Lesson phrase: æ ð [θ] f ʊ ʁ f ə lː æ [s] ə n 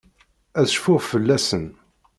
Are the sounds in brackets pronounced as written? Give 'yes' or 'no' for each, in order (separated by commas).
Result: no, yes